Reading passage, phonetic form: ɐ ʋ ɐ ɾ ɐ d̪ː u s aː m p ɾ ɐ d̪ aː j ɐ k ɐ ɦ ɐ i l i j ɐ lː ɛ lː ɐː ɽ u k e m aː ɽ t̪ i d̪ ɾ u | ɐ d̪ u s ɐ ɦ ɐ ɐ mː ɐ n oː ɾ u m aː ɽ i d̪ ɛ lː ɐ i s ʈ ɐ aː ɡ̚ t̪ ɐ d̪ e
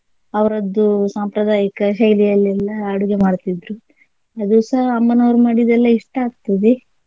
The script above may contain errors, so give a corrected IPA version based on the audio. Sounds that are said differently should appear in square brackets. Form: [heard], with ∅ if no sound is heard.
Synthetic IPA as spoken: ɐ ʋ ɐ ɾ ɐ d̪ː u s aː m p ɾ ɐ d̪ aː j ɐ k ɐ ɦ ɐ [j] l i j ɐ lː ɛ lː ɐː ɽ u [ɡ] e m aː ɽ t̪ i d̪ ɾ u | ɐ d̪ u s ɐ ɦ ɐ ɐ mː ɐ n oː ɾ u m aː ɽ i d̪ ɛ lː ɐ i [ʂ] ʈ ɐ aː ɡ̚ t̪ ɐ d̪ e

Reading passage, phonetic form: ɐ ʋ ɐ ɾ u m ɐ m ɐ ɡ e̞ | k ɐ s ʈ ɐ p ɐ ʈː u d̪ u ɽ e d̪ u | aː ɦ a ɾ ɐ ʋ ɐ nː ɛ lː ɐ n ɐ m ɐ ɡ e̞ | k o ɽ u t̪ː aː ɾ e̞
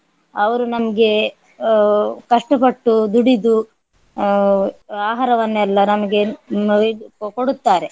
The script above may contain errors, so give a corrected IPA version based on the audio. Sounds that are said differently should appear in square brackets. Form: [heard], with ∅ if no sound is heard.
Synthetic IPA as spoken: ɐ ʋ ɐ ɾ u [n] ɐ m ɐ ɡ e̞ | k ɐ [ʂ] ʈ ɐ p ɐ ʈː u d̪ u ɽ [i] d̪ u | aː ɦ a ɾ ɐ ʋ ɐ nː ɛ lː ɐ n ɐ m ɐ ɡ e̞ | k o ɽ u t̪ː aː ɾ e̞

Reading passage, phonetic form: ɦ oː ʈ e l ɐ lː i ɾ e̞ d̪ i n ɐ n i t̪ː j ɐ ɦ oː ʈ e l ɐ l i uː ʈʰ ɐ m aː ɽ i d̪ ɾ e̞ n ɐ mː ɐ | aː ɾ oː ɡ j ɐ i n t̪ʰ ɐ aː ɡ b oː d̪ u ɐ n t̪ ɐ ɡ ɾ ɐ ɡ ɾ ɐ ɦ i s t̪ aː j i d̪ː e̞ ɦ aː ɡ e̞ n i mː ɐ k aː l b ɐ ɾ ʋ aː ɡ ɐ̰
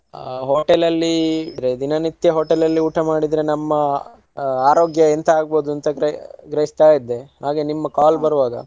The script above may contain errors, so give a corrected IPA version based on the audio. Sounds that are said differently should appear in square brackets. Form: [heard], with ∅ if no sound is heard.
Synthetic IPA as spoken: ɦ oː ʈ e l ɐ lː i ɾ e̞ d̪ i n ɐ n i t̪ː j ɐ ɦ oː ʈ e l ɐ [lː] i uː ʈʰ ɐ m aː ɽ i d̪ ɾ e̞ n ɐ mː ɐ | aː ɾ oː ɡ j ɐ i n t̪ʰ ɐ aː ɡ b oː d̪ u ɐ n t̪ ɐ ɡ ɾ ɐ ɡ ɾ ɐ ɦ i s t̪ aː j i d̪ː e̞ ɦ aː ɡ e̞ n i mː ɐ k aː l b ɐ ɾ ʋ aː ɡ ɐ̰

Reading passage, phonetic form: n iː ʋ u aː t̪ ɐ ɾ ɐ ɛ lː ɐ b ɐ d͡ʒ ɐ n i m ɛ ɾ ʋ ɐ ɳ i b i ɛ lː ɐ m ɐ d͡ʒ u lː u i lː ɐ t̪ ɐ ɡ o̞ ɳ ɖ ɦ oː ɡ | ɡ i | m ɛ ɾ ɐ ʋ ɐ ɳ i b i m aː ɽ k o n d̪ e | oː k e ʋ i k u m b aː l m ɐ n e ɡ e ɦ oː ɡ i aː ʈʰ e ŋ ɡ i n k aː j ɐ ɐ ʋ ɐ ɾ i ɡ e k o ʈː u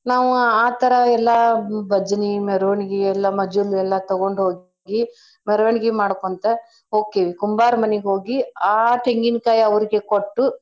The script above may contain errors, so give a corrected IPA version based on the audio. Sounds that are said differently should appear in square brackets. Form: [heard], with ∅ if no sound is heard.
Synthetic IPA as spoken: n [aː] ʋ u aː t̪ ɐ ɾ ɐ ɛ lː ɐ b ɐ d͡ʒ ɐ n i m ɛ ɾ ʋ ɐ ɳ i [ɡ] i ɛ lː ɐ m ɐ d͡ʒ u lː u [ɛ] lː ɐ t̪ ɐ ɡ o̞ ɳ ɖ ɦ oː ɡ | ɡ i | m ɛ ɾ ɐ ʋ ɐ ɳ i [ɡ] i m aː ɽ k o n [t̪] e | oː k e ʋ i k u m b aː [ɾ] m ɐ n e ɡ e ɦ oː ɡ i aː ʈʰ e ŋ ɡ i n k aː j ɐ ɐ ʋ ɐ ɾ i ɡ e k o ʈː u

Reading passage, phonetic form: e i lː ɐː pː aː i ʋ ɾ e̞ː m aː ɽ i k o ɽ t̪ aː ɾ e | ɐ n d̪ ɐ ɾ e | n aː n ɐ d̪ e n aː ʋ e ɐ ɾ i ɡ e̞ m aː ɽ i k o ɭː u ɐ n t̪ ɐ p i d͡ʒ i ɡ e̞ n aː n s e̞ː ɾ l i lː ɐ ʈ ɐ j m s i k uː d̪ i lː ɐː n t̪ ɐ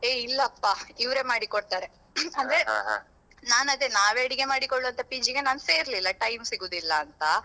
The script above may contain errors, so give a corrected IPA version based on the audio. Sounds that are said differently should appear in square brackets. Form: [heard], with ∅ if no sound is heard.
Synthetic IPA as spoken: e i lː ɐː pː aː i ʋ ɾ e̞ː m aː ɽ i k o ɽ t̪ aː ɾ e | ɐ n d̪ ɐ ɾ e | n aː n ɐ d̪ e n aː ʋ e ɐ [ɽ] i ɡ e̞ m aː ɽ i k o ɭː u ɐ n t̪ ɐ p i d͡ʒ i ɡ e̞ n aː n s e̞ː ɾ l i lː ɐ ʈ ɐ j m s i [ɡ] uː d̪ i lː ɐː n t̪ ɐ

